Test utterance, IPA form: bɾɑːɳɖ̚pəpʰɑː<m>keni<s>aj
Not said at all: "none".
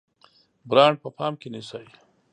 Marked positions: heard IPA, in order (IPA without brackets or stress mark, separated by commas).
m, s